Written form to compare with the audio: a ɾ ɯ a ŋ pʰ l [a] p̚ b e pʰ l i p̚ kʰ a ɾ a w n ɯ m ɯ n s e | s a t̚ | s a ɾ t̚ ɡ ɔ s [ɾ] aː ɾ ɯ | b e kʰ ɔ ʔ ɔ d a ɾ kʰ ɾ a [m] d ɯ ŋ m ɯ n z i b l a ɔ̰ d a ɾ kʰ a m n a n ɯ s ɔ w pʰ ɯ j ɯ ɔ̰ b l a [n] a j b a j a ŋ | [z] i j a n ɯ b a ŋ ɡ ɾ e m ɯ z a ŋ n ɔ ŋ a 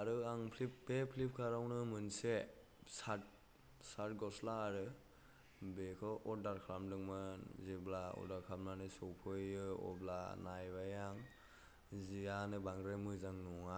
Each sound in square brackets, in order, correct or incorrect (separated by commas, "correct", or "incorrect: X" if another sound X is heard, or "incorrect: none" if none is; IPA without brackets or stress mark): incorrect: i, incorrect: l, correct, correct, correct